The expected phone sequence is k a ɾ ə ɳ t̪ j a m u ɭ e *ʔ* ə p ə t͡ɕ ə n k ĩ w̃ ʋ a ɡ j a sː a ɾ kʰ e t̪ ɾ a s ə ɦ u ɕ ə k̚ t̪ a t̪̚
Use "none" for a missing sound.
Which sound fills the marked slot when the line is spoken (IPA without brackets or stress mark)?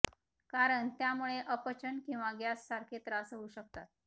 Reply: ʔ